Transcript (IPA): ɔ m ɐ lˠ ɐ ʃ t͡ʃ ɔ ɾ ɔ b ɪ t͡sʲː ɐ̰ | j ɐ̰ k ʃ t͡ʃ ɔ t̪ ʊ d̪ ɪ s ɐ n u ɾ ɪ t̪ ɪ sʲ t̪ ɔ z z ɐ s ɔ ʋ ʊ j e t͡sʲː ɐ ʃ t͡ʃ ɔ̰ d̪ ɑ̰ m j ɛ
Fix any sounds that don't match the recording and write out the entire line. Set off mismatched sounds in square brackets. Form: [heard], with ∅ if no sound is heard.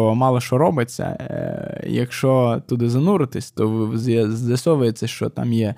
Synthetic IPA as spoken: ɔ m [ɑ] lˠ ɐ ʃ t͡ʃ ɔ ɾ ɔ b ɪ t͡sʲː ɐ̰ | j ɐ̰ k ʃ t͡ʃ ɔ t̪ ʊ d̪ ɪ [z] ɐ n u ɾ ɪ t̪ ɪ sʲ t̪ ɔ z z ɐ s ɔ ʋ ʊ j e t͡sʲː ɐ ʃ t͡ʃ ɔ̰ [t̪] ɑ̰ m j ɛ